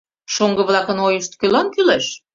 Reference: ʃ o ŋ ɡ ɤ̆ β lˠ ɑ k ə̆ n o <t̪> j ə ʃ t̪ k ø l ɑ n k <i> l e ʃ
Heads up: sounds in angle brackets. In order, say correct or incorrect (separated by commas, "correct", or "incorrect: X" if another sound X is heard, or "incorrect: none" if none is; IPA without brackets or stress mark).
incorrect: none, incorrect: y